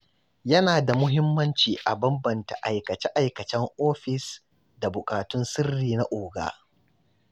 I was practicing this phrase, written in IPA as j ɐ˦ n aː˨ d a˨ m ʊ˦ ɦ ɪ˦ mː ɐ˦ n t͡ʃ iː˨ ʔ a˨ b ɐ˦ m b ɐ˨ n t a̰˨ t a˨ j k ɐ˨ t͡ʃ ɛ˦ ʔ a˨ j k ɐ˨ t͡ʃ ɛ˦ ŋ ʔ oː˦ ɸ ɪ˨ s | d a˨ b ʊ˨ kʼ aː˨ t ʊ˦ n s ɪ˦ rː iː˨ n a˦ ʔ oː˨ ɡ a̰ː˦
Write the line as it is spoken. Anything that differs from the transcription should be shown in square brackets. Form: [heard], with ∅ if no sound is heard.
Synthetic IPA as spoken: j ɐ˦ n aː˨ d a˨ m ʊ˦ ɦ ɪ˦ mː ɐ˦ n t͡ʃ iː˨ ʔ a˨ b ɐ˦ m b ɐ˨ n t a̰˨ [ʔ] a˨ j k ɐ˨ t͡ʃ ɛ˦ ʔ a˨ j k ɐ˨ t͡ʃ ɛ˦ ŋ ʔ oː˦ ɸ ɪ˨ s | d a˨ b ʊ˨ kʼ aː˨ t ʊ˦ n s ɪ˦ rː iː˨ n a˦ ʔ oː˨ ɡ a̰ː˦